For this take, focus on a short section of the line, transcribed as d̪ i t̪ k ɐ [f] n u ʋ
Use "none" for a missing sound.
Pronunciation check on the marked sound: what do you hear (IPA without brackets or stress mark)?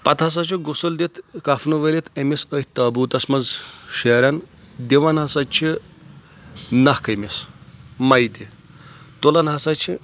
f